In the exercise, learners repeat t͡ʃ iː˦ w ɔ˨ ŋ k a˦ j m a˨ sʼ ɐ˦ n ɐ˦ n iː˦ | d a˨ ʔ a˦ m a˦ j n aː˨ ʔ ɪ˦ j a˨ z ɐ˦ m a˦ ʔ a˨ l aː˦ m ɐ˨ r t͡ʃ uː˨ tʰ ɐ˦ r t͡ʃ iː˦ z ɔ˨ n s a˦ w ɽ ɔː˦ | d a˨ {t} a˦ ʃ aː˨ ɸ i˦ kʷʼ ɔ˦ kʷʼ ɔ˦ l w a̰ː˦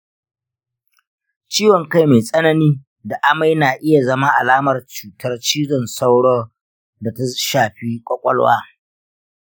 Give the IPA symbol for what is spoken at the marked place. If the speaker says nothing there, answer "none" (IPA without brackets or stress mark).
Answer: t